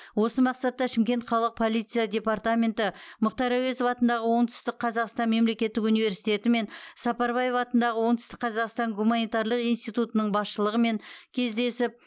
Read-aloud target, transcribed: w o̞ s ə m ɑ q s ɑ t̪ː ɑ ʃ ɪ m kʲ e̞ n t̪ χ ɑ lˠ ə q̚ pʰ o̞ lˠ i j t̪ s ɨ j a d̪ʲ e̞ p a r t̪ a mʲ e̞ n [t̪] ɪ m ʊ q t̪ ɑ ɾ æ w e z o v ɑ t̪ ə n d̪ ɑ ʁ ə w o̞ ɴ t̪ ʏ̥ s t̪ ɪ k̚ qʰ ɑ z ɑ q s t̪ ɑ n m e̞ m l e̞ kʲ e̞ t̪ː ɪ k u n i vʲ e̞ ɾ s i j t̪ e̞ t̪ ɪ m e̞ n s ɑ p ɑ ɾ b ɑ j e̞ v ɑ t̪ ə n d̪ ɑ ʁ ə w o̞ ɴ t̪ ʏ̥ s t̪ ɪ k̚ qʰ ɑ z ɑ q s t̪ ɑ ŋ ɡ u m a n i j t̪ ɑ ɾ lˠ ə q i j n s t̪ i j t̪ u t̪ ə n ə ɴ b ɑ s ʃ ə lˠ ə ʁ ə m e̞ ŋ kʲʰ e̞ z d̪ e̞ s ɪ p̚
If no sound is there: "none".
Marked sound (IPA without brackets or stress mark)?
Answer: t̪